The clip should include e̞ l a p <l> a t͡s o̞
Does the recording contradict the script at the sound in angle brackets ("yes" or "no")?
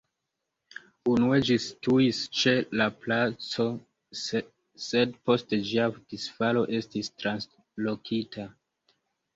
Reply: no